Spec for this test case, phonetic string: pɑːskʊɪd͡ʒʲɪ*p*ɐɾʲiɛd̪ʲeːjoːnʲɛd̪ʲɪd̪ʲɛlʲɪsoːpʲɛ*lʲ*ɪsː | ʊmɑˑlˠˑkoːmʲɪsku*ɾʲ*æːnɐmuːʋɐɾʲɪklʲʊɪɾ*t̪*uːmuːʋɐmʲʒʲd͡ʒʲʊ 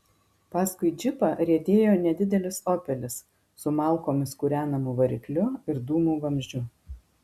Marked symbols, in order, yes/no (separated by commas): yes, yes, yes, no